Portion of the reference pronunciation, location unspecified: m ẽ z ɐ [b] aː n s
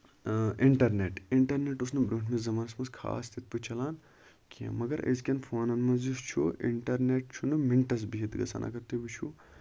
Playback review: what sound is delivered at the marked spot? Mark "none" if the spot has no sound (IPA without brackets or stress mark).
m